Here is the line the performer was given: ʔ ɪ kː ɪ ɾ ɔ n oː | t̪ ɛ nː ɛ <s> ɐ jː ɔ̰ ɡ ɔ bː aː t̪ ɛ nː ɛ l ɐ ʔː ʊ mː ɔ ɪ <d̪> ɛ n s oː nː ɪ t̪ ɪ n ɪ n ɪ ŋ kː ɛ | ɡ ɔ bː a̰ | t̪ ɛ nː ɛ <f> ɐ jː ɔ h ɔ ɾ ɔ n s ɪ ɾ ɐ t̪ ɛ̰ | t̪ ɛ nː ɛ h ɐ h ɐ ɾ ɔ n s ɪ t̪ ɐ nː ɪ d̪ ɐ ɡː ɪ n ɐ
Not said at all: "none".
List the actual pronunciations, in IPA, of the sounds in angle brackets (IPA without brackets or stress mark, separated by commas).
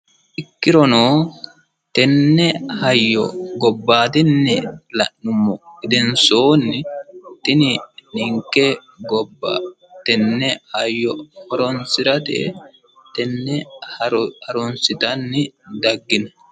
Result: h, d̪, h